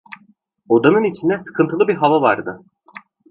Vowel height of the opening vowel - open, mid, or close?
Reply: mid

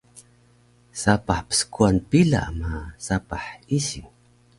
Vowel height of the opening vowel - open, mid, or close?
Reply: open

